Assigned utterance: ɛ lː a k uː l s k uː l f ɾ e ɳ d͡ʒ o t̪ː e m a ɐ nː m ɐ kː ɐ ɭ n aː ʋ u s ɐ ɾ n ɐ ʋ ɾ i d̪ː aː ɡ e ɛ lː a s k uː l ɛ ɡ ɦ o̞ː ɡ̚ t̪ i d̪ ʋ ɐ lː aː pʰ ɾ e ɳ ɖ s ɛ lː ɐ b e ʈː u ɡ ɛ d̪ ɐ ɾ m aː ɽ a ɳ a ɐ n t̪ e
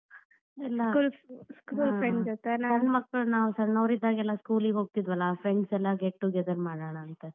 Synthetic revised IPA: ɛ lː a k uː l s k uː l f ɾ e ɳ d͡ʒ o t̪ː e n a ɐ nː m ɐ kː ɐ ɭ n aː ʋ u s ɐ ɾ n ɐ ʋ ɾ i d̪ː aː ɡ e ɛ lː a s k uː l i ɡ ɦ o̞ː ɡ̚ t̪ i d̪ ʋ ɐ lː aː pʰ ɾ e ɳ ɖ s ɛ lː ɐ ɡ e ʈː u ɡ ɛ d̪ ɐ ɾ m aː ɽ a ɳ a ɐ n t̪ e